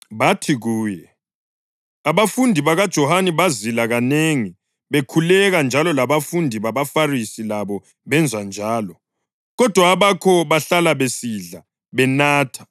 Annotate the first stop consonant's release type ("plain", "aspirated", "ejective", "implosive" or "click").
aspirated